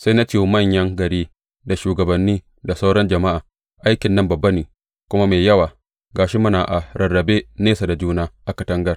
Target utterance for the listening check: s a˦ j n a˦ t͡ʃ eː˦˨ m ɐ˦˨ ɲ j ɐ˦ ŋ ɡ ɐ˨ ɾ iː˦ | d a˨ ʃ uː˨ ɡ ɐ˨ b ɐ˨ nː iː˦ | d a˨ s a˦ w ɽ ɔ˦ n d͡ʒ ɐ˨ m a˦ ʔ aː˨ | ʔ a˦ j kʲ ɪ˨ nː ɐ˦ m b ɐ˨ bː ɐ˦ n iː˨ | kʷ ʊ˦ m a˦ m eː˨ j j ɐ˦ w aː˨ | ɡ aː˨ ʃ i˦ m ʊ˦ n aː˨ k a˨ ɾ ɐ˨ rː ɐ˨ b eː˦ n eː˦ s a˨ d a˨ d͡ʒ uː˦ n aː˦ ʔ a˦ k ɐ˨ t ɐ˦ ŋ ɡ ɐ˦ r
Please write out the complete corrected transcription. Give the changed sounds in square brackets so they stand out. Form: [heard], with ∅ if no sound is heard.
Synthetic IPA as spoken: s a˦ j n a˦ t͡ʃ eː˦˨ m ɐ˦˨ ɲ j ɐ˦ ŋ ɡ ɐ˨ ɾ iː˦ | d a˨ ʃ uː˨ ɡ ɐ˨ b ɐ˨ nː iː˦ | d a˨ s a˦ w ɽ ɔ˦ n d͡ʒ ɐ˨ m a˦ ʔ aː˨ | ʔ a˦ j kʲ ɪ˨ nː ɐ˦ m b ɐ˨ bː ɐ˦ n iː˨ | kʷ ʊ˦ m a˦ m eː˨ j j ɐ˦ w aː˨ | ɡ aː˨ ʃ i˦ m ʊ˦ n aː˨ [ʔ] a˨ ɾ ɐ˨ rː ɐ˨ b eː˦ n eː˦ s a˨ d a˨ d͡ʒ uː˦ n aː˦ ʔ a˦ k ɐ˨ t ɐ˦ ŋ ɡ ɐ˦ r